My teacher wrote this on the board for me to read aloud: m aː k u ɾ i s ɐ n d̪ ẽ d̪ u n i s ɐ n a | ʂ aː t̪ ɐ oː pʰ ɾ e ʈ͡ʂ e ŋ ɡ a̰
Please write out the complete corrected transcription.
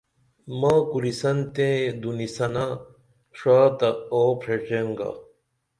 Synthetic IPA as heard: m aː k u ɾ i s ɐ n t̪ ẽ d̪ u n i s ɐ n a | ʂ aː t̪ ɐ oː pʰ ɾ e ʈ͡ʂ e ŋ ɡ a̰